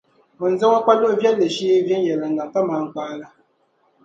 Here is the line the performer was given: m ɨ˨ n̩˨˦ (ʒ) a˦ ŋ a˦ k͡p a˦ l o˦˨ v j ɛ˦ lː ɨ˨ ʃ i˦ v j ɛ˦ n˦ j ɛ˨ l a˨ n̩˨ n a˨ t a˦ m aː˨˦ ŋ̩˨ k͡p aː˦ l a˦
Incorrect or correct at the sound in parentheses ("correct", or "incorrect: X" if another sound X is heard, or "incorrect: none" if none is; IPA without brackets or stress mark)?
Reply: incorrect: z